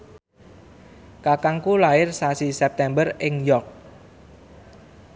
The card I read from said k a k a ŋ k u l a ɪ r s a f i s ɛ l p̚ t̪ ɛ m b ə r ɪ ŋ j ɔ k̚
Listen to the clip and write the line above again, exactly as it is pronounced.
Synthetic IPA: k a k a ŋ k u l a ɪ r s a s i s ɛ p̚ t̪ ɛ m b ə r ɪ ŋ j ɔ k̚

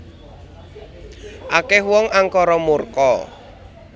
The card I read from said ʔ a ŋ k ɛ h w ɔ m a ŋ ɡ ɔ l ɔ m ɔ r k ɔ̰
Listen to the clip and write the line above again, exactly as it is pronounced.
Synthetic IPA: ʔ a k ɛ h w ɔ ŋ a ŋ k ɔ ɾ ɔ m u r k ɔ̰

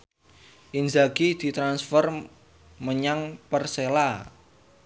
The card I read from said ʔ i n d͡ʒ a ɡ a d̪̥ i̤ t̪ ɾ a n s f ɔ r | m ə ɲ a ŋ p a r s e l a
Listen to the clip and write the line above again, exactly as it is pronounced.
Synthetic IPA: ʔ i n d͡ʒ a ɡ i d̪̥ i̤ t̪ ɾ a n s f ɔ r | m ə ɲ a ŋ p ə r s e l a

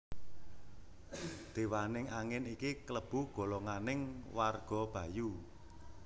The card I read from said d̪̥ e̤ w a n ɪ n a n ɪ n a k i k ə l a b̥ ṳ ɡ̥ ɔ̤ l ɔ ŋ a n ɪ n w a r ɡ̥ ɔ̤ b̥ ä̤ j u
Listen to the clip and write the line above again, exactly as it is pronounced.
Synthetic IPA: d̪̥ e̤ w a n ɪ ŋ a ŋ ɪ n i k i k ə l ə b̥ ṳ ɡ̥ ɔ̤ l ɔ ŋ a n ɪ ŋ w a r ɡ̥ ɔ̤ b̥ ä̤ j u

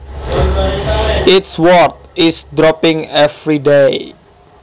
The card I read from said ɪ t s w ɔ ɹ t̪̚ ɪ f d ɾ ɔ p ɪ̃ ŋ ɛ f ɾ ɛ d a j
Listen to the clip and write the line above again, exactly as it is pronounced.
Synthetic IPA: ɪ t s w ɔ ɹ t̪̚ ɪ s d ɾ ɔ p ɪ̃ ŋ ɛ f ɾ i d e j

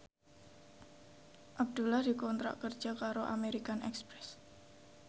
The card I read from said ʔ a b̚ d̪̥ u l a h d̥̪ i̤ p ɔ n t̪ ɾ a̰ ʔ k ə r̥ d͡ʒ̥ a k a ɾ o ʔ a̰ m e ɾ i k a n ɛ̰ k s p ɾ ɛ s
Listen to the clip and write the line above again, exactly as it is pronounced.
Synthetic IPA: ʔ a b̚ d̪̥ u l a h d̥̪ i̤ k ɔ n t̪ ɾ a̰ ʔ k ə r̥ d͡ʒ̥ a k a ɾ o ʔ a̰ m e ɾ i k a n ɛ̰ k s p ɾ ɛ s

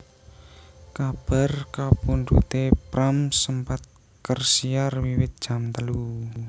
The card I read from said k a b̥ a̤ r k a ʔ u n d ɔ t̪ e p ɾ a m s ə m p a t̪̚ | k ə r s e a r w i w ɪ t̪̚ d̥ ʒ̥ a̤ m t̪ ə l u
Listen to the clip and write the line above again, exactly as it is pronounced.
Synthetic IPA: k a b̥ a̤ r k a p u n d u t̪ e p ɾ a m s ə m p a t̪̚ | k ə r s i a r w i w ɪ t̪̚ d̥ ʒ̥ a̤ m t̪ ə l u

